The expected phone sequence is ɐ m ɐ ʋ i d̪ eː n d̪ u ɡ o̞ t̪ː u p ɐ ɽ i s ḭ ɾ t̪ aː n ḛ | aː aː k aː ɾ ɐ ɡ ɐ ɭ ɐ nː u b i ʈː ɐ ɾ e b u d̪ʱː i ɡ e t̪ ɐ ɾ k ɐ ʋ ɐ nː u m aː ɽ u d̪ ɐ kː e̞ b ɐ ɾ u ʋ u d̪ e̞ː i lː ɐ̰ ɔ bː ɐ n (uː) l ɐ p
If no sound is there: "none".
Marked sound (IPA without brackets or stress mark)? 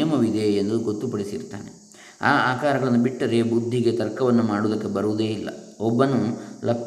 u